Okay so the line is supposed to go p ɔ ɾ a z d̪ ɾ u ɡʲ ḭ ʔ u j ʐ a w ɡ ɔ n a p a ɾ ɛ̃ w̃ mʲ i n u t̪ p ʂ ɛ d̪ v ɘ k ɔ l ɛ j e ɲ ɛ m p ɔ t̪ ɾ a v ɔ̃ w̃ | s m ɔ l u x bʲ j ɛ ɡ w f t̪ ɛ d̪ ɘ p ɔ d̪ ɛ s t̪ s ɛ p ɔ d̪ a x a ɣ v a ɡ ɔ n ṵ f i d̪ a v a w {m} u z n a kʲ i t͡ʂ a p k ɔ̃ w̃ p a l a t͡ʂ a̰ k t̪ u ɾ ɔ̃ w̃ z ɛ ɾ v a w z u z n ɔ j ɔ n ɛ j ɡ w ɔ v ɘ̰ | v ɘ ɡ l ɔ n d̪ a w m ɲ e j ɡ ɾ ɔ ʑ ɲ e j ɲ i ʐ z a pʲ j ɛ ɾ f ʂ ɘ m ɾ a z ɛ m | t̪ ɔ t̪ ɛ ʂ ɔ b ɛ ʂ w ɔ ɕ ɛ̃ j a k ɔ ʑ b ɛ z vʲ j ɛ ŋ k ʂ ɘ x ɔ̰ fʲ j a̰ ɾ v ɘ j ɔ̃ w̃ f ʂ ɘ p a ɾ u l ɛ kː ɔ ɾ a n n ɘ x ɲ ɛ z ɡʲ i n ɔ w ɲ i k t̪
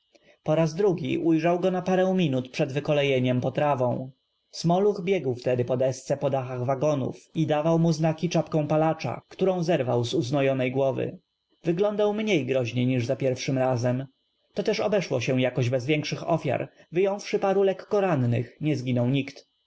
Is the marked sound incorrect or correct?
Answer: correct